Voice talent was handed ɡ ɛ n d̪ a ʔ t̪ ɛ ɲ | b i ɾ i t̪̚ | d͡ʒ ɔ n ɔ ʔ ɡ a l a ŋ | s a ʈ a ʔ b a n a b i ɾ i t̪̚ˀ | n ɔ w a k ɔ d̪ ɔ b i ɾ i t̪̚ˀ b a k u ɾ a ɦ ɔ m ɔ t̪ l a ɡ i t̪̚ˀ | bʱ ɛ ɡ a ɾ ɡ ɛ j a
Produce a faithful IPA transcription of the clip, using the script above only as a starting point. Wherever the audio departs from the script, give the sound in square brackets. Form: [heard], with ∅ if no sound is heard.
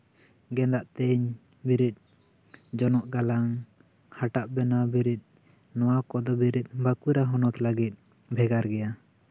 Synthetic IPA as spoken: ɡ ɛ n d̪ a ʔ t̪ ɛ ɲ | b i ɾ i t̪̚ | d͡ʒ ɔ n ɔ ʔ ɡ a l a ŋ | [h] a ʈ a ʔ b [ɛ] n a b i ɾ i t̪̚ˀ | n ɔ w a k ɔ d̪ ɔ b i ɾ i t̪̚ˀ b a k u ɾ a ɦ ɔ [n] ɔ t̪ l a ɡ i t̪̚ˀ | bʱ ɛ ɡ a ɾ ɡ ɛ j a

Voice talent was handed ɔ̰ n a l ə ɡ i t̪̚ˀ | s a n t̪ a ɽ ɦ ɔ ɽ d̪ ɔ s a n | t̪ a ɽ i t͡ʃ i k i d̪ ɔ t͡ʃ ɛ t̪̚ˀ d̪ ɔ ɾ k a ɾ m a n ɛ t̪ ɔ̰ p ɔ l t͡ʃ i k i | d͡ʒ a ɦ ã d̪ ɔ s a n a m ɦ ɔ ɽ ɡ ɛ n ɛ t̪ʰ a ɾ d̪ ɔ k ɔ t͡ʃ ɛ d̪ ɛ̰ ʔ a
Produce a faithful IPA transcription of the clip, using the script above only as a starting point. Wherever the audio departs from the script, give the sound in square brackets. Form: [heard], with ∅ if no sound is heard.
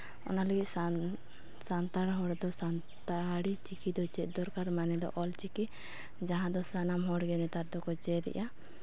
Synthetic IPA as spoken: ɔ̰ n a l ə ɡ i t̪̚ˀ | s a n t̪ a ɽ ɦ ɔ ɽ d̪ ɔ s a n | t̪ a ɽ i t͡ʃ i k i d̪ ɔ t͡ʃ ɛ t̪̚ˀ d̪ ɔ ɾ k a ɾ m a n ɛ [d̪] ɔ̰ [ʔ] ɔ l t͡ʃ i k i | d͡ʒ a ɦ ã d̪ ɔ s a n a m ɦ ɔ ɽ ɡ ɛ n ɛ [t̪] a ɾ d̪ ɔ k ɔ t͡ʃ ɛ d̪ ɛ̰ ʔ a

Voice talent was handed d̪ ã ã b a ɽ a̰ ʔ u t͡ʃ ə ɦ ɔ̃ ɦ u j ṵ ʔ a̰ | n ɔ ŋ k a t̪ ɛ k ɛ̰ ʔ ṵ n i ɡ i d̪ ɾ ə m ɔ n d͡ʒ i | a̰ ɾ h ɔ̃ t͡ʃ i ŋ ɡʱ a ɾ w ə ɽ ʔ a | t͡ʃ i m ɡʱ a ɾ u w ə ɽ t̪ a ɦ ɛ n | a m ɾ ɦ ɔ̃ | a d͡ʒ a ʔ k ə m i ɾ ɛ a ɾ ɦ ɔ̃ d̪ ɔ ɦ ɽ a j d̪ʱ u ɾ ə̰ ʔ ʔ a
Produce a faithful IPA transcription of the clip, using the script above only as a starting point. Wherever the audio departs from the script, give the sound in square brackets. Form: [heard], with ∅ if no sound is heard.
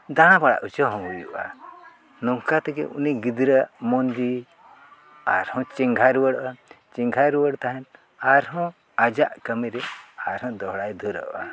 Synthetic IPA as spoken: d̪ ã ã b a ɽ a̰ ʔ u t͡ʃ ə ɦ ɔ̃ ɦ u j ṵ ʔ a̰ | n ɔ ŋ k a t̪ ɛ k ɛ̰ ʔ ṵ n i ɡ i d̪ ɾ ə m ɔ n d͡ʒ i | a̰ ɾ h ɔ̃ t͡ʃ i ŋ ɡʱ a ɾ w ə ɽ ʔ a | t͡ʃ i [ŋ] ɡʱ a ɾ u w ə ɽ t̪ a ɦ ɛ n | a [∅] ɾ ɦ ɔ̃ | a d͡ʒ a ʔ k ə m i ɾ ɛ a ɾ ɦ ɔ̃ d̪ ɔ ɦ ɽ a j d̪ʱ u ɾ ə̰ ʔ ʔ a

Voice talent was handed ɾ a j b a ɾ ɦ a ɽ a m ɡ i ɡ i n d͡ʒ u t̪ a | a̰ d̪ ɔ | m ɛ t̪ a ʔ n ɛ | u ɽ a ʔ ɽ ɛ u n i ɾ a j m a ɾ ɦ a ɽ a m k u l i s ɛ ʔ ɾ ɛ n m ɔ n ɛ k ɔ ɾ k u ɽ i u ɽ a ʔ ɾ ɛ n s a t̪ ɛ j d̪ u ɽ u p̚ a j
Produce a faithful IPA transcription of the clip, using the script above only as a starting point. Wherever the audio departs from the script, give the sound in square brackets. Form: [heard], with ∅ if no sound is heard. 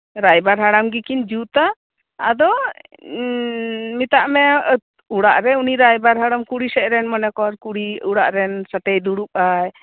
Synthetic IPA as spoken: ɾ a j b a ɾ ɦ a ɽ a m ɡ i [k] i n d͡ʒ u t̪ a | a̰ d̪ ɔ | m [i] t̪ a ʔ [m] ɛ | u ɽ a ʔ [ɾ] ɛ u n i ɾ a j [b] a ɾ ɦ a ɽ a m k u [ɽ] i s ɛ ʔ ɾ ɛ n m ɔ n ɛ k ɔ ɾ k u ɽ i u ɽ a ʔ ɾ ɛ n s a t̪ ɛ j d̪ u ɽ u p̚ a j

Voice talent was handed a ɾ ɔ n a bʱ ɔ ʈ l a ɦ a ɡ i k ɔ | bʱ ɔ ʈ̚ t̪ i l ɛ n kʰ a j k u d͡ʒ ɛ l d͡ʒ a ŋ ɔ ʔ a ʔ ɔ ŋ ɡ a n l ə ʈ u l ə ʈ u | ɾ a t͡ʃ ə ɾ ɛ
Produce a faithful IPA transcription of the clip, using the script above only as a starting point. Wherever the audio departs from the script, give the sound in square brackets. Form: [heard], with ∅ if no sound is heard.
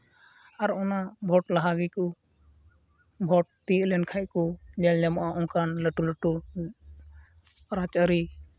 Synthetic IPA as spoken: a ɾ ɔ n a bʱ ɔ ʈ l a ɦ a ɡ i k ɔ | bʱ ɔ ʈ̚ t̪ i l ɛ n kʰ a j k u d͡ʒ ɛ l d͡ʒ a [m] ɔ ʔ a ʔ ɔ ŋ [k] a n l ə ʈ u l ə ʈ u | ɾ a t͡ʃ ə ɾ [i]

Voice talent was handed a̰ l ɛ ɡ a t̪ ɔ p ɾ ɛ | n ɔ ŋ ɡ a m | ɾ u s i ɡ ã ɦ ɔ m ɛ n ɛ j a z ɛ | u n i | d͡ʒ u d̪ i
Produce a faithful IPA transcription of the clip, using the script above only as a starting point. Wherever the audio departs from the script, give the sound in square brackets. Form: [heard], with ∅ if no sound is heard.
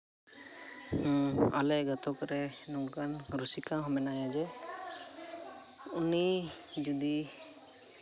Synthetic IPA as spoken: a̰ l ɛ ɡ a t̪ ɔ [k] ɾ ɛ | n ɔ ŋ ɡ a [n] | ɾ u s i [k] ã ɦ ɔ m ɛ n [a] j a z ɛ | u n i | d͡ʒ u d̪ i

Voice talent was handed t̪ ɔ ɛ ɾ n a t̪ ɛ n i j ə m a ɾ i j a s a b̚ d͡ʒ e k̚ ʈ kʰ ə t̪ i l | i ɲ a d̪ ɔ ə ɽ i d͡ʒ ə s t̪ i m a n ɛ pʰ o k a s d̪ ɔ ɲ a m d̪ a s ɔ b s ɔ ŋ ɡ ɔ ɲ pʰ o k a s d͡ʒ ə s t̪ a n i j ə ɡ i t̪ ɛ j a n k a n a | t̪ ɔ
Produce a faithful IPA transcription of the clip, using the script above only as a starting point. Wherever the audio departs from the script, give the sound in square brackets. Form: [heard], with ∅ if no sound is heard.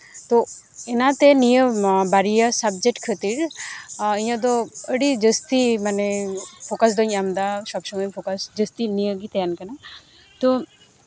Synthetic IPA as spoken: t̪ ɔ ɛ [∅] n a t̪ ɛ n i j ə [b] a ɾ i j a s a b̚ d͡ʒ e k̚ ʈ kʰ ə t̪ i [ɾ] | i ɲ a d̪ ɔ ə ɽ i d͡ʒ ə s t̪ i m a n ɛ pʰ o k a s d̪ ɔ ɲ a m d̪ a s ɔ b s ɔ ŋ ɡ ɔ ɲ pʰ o k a s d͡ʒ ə s t̪ [i] n i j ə ɡ i t̪ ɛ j a n k a n a | t̪ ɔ

